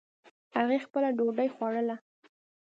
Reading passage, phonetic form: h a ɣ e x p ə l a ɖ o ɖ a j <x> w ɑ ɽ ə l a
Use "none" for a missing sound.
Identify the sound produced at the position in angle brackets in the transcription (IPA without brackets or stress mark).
x